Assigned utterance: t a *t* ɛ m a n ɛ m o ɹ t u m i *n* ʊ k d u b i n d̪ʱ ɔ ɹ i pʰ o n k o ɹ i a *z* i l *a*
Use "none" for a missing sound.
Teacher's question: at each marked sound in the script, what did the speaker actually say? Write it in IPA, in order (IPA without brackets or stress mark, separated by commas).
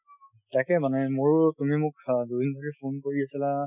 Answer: k, m, s, a